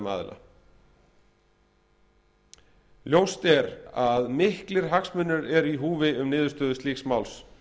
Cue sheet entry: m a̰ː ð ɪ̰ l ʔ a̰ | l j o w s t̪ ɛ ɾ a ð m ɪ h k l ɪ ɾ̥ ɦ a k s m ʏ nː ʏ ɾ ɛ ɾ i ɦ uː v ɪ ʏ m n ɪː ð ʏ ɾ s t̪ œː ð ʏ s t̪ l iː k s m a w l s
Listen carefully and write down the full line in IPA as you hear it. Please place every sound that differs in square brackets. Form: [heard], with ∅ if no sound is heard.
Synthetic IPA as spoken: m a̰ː ð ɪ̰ l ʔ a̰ | l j o w s t̪ ɛ ɾ a ð m ɪ h k l ɪ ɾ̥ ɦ a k s m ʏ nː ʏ ɾ ɛ ɾ i ɦ uː v ɪ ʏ m n ɪː ð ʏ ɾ s t̪ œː ð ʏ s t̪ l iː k s m a w l s